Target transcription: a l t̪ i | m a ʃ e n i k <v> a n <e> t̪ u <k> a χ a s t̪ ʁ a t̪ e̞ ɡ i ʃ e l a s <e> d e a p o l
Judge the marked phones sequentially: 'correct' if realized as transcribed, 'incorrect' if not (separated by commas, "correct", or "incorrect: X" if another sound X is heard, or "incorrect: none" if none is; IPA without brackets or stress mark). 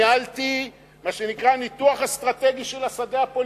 incorrect: ʁ, incorrect: i, incorrect: none, incorrect: a